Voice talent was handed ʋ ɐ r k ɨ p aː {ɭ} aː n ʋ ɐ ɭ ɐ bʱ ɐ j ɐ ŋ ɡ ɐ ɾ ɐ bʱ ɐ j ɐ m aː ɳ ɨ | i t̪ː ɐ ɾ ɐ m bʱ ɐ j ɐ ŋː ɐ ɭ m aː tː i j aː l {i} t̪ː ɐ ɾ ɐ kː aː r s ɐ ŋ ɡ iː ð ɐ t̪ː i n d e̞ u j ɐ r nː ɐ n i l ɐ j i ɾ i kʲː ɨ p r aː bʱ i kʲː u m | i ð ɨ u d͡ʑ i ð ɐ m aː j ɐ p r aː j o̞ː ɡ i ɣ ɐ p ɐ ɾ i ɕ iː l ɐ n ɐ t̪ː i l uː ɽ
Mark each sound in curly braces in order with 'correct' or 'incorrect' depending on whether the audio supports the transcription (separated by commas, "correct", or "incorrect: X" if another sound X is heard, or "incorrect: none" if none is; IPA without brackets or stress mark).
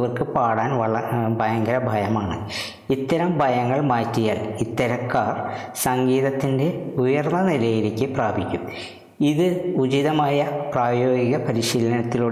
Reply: incorrect: ɽ, correct